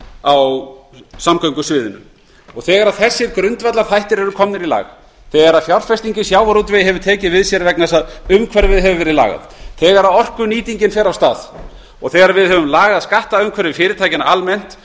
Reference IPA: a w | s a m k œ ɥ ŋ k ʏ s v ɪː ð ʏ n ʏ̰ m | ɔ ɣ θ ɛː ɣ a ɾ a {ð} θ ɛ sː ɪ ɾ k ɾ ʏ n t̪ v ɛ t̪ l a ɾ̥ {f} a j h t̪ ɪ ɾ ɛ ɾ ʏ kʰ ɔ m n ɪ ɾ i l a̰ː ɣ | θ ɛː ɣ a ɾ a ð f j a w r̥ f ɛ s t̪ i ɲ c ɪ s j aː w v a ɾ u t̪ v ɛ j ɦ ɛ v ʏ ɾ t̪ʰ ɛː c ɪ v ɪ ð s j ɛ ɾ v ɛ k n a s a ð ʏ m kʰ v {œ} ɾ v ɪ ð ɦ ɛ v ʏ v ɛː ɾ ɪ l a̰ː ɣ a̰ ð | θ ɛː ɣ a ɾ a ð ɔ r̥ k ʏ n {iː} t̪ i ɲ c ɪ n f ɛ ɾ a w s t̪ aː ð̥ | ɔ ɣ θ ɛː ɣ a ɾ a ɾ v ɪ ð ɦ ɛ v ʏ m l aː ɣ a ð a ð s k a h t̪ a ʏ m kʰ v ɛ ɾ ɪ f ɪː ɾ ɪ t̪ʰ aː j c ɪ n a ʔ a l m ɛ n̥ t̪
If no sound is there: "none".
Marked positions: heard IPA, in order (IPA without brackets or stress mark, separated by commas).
ð, θ, ɛ, iː